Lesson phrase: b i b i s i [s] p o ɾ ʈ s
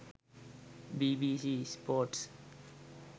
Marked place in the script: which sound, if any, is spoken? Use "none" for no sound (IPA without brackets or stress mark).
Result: s